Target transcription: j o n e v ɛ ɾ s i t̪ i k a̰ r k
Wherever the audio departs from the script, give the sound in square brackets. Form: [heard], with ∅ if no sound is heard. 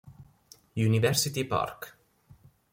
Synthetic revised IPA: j [u] n [i] v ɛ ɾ s i t̪ i [p] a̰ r k